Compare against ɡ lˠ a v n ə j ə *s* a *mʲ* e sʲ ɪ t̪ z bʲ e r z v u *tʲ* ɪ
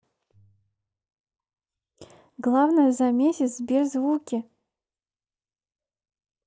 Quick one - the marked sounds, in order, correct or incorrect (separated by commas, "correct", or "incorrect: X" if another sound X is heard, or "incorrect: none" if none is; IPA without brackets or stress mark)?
incorrect: z, correct, incorrect: kʲ